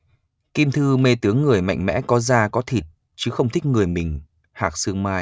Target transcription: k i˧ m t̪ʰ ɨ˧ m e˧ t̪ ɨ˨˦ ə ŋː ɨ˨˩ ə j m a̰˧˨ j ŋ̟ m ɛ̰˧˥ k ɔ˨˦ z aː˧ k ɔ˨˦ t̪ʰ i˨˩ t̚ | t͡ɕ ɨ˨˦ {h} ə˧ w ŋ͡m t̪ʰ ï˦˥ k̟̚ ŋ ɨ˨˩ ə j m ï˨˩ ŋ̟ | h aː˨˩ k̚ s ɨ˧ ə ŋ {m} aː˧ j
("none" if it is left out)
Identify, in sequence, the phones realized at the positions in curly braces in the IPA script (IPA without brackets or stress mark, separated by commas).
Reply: x, m